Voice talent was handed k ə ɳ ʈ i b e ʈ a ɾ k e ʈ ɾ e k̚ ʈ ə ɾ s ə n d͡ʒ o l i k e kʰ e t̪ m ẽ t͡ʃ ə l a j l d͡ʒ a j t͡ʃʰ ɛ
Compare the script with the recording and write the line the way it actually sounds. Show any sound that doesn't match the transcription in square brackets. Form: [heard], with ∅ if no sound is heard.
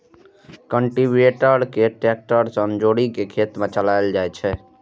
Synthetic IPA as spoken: k ə ɳ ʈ i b e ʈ [ə] ɾ k e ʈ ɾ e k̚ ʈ ə ɾ s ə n d͡ʒ o [ɽ] i k e kʰ e t̪ m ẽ t͡ʃ ə l a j l d͡ʒ a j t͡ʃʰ ɛ